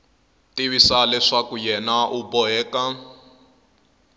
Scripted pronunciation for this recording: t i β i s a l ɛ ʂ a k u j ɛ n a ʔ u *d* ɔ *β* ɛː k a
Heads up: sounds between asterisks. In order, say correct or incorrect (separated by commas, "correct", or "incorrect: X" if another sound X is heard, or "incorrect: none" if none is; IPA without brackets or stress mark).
incorrect: b, incorrect: none